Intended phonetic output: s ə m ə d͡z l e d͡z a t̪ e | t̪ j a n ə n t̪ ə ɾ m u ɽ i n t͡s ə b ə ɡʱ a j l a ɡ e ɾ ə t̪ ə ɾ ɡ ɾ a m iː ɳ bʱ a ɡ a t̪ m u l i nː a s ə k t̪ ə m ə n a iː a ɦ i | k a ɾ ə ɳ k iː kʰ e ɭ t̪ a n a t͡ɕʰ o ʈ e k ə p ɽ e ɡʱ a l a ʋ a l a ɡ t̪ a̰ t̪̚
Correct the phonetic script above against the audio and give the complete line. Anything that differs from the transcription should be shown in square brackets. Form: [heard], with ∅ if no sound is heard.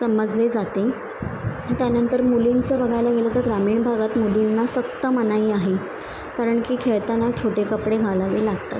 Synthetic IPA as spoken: s ə m ə d͡z l e d͡z a t̪ e | t̪ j a n ə n t̪ ə ɾ m u [l] i n t͡s ə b ə ɡʱ a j l a ɡ e [l] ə t̪ ə ɾ ɡ ɾ a m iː ɳ bʱ a ɡ a t̪ m u l i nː a s ə k t̪ ə m ə n a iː a ɦ [e] | k a ɾ ə ɳ k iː kʰ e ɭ t̪ a n a t͡ɕʰ o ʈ e k ə p ɽ e ɡʱ a l a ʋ [e] l a ɡ t̪ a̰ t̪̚